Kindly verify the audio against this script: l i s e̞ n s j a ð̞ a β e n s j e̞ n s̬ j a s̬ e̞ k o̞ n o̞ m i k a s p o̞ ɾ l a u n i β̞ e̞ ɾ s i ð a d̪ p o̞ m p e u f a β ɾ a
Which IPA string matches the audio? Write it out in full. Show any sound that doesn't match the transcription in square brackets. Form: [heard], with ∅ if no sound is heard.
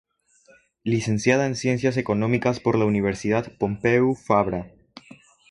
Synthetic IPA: l i s e̞ n s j a ð̞ a [∅] e n s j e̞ n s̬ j a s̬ e̞ k o̞ n o̞ m i k a s p o̞ ɾ l a u n i β̞ e̞ ɾ s i ð a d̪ p o̞ m p e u f a β ɾ a